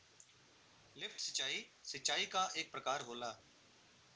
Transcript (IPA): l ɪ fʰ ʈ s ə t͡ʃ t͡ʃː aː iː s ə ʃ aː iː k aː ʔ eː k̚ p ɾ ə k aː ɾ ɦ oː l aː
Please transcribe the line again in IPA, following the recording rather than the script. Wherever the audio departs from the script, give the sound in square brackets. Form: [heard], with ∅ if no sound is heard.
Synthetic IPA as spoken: l ɪ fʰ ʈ s ə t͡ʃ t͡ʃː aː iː s ə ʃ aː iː k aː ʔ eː k̚ p ɾ ə k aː ɾ ɦ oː l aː